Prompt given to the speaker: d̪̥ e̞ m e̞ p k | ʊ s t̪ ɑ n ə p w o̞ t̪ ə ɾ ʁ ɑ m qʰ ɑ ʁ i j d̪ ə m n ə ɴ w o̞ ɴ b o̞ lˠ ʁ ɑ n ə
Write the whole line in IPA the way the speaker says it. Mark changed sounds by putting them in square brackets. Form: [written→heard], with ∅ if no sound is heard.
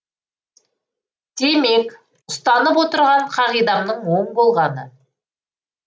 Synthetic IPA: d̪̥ e̞ m e̞ [p→∅] k | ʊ s t̪ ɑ n ə p w o̞ t̪ ə ɾ ʁ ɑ [m→ɴ] qʰ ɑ ʁ i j d̪ [ə→ɑ] m n ə ɴ w o̞ ɴ b o̞ lˠ ʁ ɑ n ə